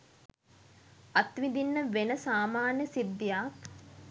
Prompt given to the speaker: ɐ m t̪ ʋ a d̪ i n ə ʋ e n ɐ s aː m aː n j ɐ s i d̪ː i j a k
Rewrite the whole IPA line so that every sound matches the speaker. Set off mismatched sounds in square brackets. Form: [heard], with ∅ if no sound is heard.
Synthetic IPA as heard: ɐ [∅] t̪ ʋ [i] d̪ i [nː] ə ʋ e n [ə] s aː m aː n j [ə] s i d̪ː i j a k